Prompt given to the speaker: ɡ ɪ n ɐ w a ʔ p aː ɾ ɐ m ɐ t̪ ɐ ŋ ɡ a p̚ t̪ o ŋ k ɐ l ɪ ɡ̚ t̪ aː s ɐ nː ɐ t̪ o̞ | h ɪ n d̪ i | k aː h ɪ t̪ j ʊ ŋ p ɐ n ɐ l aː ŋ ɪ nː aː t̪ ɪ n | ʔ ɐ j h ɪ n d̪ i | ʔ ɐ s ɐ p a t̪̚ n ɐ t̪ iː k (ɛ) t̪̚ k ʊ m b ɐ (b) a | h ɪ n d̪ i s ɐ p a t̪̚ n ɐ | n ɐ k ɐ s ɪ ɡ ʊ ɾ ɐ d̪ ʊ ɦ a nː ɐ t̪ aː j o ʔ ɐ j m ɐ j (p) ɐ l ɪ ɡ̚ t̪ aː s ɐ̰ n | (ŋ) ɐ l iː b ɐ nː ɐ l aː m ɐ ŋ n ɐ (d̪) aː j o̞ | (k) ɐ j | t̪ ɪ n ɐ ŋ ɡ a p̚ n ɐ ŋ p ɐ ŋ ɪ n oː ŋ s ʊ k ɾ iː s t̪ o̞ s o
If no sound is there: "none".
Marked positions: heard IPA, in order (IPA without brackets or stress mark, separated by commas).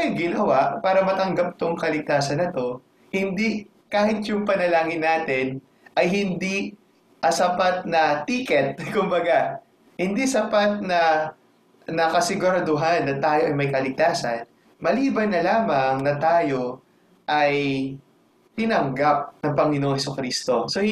ɛ, ɡ, k, m, t̪, ʔ